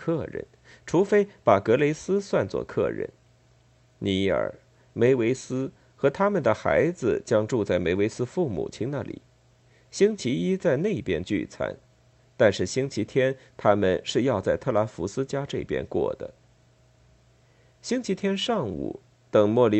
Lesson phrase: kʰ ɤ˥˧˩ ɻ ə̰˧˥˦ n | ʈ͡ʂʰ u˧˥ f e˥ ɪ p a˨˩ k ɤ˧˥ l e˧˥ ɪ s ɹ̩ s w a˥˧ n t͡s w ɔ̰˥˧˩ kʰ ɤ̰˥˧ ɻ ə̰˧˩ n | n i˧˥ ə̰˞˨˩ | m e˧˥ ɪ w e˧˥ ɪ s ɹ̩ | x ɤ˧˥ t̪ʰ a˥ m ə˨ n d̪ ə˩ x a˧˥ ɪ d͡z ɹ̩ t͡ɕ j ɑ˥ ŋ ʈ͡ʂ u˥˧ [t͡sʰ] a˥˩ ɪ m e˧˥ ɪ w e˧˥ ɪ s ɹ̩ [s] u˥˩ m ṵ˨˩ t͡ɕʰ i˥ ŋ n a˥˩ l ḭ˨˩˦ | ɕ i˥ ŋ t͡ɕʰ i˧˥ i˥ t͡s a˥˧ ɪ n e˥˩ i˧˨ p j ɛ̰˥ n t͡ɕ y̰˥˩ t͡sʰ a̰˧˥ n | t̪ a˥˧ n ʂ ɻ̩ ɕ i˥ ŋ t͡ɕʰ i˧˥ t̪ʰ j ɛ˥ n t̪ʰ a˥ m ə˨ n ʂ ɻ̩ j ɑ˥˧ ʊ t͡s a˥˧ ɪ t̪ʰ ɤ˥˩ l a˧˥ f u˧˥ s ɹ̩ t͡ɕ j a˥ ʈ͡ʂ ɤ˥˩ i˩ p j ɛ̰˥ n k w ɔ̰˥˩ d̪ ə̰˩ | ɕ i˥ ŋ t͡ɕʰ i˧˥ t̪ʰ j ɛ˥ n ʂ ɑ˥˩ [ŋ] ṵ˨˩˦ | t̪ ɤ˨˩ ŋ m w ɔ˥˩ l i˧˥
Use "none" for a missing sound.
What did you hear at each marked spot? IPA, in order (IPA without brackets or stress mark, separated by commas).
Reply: t͡s, f, ŋ